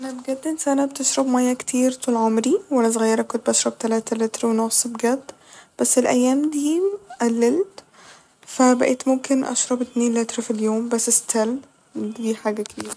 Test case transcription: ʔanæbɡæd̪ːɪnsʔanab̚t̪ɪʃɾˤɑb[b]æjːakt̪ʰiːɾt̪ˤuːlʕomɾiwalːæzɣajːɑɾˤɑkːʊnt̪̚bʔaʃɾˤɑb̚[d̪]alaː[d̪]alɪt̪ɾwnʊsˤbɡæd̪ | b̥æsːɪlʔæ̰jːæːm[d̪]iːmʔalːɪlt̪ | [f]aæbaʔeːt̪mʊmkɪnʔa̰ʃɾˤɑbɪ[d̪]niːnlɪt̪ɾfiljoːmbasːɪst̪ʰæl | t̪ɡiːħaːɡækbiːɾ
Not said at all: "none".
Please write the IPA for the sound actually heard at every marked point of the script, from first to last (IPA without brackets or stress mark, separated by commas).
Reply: m, t̪, t̪, d̪, f, t̪